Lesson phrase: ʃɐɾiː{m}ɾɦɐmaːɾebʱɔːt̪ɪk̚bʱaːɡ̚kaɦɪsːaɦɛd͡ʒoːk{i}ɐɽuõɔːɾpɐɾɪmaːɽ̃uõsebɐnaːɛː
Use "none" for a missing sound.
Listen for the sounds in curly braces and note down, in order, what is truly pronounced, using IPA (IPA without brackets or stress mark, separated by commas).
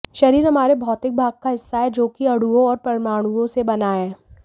none, i